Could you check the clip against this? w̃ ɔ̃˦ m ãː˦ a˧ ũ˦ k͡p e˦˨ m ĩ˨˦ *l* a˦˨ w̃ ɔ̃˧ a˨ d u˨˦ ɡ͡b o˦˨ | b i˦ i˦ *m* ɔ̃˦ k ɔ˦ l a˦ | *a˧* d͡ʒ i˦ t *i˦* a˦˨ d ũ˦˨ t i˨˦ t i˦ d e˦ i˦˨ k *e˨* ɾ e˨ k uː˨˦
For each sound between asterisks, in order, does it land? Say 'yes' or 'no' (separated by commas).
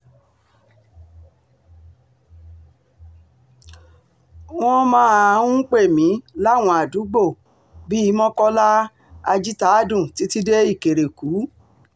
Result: yes, yes, yes, no, yes